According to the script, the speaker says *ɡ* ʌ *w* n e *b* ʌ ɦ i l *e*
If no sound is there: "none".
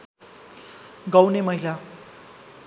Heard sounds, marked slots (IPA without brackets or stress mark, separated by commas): ɡ, w, m, a